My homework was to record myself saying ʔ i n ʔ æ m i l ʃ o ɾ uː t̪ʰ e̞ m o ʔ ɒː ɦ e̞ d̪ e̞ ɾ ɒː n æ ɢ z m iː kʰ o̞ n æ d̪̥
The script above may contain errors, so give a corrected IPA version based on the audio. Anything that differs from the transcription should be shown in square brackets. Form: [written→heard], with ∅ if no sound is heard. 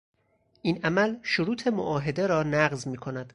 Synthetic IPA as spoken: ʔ i n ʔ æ m [i→æ] l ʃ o ɾ uː t̪ʰ e̞ m o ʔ ɒː ɦ e̞ d̪ e̞ ɾ ɒː n æ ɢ z m iː kʰ o̞ n æ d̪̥